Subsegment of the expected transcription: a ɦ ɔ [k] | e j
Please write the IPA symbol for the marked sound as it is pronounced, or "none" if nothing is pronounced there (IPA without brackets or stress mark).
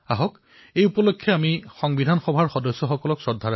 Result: k